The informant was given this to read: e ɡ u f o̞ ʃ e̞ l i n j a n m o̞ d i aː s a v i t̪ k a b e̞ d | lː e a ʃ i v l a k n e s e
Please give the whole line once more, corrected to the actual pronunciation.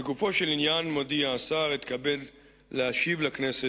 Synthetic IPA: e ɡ u f o̞ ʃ e̞ l i n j a n m o̞ d i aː s a ʁ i t̪ k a b e̞ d | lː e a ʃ i v l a k n e s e